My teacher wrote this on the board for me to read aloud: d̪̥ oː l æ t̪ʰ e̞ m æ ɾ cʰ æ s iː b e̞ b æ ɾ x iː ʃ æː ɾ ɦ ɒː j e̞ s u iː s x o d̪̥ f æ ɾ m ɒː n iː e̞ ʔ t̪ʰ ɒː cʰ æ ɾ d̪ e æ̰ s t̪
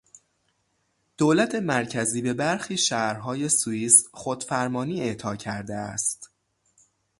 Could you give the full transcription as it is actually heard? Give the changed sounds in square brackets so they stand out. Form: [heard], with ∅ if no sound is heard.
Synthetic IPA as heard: d̪̥ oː l æ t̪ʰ e̞ m æ ɾ cʰ æ [z] iː b e̞ b æ ɾ x iː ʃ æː ɾ ɦ ɒː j e̞ s u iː s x o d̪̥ f æ ɾ m ɒː n iː e̞ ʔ t̪ʰ ɒː cʰ æ ɾ d̪ e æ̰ s t̪